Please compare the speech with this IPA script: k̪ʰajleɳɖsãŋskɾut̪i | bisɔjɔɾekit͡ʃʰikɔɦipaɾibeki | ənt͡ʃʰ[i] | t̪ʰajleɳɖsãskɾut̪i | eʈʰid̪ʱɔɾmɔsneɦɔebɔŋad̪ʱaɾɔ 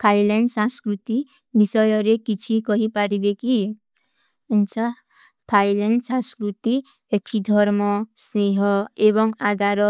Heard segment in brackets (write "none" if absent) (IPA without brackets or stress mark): a